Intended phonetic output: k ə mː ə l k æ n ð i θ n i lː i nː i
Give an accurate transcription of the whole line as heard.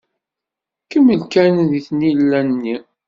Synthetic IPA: k ə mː ə l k æ n ð i θ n i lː æ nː i